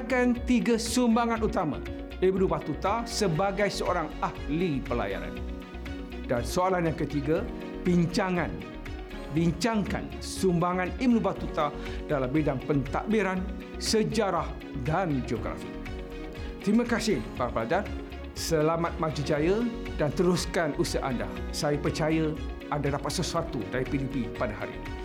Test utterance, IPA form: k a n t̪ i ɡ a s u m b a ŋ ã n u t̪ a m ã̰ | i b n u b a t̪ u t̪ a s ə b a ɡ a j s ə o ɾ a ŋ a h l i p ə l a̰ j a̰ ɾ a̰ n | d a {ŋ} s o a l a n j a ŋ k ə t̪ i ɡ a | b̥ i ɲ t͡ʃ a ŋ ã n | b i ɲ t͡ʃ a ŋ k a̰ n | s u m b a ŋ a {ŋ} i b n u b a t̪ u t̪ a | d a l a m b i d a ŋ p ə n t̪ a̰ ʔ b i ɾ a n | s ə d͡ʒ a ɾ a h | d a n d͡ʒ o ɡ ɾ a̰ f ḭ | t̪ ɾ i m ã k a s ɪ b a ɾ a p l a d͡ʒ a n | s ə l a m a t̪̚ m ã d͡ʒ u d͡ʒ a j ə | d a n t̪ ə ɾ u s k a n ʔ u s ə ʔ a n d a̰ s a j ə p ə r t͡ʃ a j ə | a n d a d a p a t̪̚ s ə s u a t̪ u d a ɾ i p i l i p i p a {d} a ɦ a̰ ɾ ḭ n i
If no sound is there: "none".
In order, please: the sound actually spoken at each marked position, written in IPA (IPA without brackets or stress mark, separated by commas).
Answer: n, n, d